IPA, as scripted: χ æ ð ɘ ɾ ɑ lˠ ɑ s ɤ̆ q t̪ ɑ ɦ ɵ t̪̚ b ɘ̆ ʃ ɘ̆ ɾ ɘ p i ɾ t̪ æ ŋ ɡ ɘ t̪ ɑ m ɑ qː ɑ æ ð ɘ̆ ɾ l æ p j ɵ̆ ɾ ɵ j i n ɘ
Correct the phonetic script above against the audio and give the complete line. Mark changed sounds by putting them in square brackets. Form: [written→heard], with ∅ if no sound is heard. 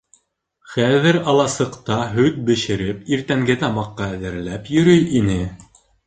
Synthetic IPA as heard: χ æ ð ɘ ɾ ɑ lˠ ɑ s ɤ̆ q t̪ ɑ ɦ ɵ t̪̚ b ɘ̆ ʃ ɘ̆ ɾ ɘ p i ɾ t̪ æ ŋ ɡ ɘ t̪ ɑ m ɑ qː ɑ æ ð ɘ̆ ɾ l æ p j ɵ̆ ɾ ɵ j i n ɘ

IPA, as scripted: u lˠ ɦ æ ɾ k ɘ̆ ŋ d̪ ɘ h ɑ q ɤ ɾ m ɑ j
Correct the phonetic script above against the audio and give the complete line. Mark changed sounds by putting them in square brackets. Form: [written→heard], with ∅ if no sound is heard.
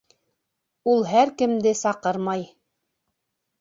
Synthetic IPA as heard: u lˠ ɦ æ ɾ k ɘ̆ [ŋ→m] d̪ ɘ [h→s] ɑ q ɤ ɾ m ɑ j

